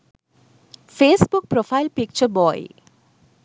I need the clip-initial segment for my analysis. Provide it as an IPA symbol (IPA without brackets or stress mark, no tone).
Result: f